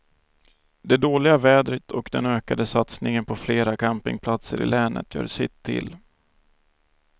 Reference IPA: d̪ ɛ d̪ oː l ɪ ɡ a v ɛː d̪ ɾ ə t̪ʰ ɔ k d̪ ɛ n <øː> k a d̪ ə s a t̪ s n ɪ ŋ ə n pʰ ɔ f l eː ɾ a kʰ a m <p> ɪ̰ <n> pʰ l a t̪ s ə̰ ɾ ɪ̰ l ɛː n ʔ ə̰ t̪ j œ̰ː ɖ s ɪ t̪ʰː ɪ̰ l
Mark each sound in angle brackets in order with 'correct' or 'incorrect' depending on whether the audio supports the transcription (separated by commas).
correct, correct, incorrect